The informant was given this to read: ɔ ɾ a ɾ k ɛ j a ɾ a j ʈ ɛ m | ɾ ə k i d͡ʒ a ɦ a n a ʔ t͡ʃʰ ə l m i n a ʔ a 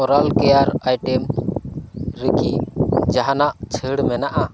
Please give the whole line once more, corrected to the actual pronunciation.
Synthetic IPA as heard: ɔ ɾ a l k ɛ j a ɾ a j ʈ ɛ m | ɾ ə k i d͡ʒ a ɦ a n a ʔ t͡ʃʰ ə ɽ m ɛ n a ʔ a

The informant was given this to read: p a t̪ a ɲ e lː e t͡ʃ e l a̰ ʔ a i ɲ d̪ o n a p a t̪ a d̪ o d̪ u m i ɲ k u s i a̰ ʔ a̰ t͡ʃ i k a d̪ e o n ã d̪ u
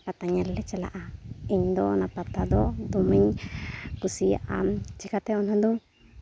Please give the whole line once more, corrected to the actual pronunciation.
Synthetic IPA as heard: p a t̪ a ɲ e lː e t͡ʃ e l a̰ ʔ a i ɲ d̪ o n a p a t̪ a d̪ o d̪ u m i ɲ k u s i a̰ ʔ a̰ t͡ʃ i k a t̪ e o n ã d̪ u

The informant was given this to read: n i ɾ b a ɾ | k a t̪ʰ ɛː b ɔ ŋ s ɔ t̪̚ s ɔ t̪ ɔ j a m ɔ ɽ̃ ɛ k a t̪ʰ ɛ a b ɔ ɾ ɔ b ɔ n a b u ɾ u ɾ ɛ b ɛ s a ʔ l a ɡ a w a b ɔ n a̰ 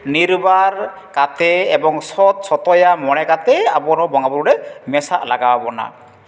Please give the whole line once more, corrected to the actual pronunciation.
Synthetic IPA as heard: n i ɾ b a ɾ | k a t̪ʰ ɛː b ɔ ŋ s ɔ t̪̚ s ɔ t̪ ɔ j a m ɔ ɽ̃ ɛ k a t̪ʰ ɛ a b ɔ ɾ ɔ b ɔ ŋ a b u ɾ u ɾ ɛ m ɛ s a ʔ l a ɡ a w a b ɔ n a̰

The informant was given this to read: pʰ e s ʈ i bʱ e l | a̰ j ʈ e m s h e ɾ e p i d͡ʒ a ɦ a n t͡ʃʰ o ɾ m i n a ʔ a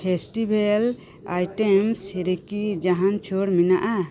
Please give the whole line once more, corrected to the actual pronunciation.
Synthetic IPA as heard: pʰ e s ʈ i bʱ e l | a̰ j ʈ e m s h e ɾ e k i d͡ʒ a ɦ a n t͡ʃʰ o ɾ m i n a ʔ a

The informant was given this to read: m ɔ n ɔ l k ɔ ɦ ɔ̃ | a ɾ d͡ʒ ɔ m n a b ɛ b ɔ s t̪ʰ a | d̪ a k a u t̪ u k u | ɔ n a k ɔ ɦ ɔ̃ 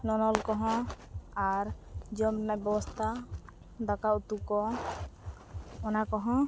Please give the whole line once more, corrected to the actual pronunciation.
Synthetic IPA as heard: n ɔ n ɔ l k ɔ ɦ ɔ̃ | a ɾ d͡ʒ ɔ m n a b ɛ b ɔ s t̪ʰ a | d̪ a k a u t̪ u k ɔ | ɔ n a k ɔ ɦ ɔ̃

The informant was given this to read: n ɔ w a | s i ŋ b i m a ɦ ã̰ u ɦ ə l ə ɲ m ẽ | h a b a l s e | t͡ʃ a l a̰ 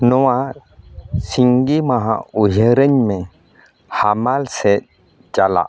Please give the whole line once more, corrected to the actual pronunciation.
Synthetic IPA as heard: n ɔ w a | s i ŋ ɡ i m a ɦ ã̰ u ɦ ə ɾ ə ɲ m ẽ | h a m a l s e | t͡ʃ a l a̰

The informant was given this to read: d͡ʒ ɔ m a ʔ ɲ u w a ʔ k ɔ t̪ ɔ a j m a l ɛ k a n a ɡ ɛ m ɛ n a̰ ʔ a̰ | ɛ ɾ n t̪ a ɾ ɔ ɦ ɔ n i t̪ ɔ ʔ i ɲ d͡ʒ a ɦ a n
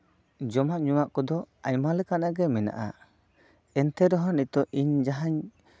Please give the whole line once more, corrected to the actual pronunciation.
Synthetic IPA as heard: d͡ʒ ɔ m a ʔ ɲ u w a ʔ k ɔ d̪ ɔ a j m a l ɛ k a n a ɡ ɛ m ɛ n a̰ ʔ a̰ | ɛ n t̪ ɛ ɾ ɔ ɦ ɔ n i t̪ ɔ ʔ i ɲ d͡ʒ a ɦ a ɲ

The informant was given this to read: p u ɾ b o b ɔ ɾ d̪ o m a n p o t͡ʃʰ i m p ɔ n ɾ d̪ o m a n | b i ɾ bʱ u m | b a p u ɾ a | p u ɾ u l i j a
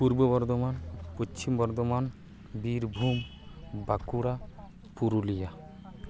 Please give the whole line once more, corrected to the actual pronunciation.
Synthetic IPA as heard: p u ɾ b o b ɔ ɾ d̪ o m a n p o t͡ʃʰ i m b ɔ ɾ d̪ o m a n | b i ɾ bʱ u m | b a k u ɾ a | p u ɾ u l i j a

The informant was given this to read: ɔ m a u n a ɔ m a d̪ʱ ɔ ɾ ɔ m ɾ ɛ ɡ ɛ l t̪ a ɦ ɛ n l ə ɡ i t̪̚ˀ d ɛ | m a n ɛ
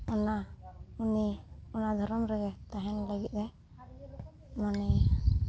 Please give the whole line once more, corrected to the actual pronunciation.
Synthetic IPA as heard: ɔ n a u n i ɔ n a d̪ʱ ɔ ɾ ɔ m ɾ ɛ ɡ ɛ t̪ a ɦ ɛ n l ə ɡ i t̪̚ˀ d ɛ | m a n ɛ

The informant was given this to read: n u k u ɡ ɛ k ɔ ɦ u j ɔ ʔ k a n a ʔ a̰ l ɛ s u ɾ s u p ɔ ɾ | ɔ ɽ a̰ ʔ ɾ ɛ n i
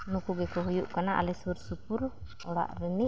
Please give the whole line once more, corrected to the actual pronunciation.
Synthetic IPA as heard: n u k u ɡ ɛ k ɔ ɦ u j u ʔ k a n a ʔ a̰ l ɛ s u ɾ s u p u ɾ | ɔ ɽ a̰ ʔ ɾ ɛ n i

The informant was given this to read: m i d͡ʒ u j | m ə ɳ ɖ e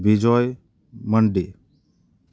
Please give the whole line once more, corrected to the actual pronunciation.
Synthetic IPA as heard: b i d͡ʒ ɔ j | m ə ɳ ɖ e

